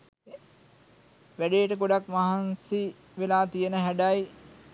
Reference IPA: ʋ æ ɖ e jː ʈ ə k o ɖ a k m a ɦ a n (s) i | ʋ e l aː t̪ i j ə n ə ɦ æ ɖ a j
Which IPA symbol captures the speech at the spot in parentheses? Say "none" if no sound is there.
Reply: s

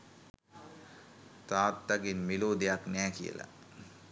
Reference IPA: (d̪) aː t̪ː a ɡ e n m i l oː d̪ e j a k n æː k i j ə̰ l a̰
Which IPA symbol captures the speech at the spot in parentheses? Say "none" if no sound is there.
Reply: t̪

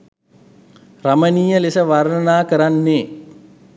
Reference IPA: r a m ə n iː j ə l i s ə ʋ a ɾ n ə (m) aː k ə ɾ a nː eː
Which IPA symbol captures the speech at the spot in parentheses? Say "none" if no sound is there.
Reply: n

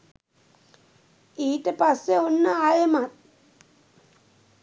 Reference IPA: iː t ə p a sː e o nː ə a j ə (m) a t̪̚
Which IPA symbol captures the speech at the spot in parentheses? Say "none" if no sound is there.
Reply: m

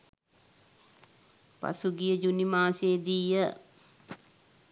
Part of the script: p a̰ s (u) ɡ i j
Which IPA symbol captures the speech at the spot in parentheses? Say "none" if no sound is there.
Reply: u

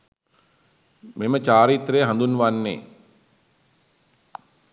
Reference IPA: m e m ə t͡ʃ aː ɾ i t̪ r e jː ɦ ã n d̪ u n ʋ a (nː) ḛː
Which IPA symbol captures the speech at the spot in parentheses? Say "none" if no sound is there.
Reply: nː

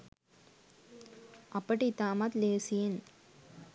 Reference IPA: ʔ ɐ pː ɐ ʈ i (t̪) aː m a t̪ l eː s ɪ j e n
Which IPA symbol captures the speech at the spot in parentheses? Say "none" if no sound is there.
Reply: t̪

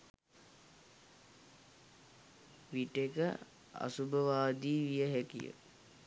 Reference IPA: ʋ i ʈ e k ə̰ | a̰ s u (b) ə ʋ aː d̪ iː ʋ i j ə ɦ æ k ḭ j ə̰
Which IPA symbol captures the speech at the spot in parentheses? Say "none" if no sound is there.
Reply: b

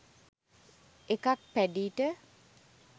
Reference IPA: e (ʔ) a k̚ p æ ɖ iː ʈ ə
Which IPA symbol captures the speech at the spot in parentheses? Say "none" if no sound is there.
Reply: k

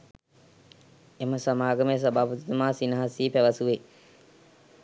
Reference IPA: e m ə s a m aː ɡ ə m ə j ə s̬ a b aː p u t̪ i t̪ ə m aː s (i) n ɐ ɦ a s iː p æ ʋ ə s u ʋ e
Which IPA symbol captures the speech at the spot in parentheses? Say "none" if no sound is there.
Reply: i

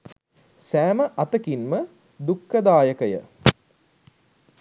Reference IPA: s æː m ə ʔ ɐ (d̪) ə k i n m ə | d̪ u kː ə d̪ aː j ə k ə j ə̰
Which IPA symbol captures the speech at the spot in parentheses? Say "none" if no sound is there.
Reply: t̪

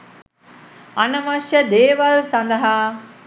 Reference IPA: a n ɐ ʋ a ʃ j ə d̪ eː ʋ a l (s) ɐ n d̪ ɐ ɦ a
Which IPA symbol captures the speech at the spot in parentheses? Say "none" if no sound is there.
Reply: s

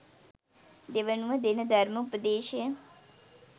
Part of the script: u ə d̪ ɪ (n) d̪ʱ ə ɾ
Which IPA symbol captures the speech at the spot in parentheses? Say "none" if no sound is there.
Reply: n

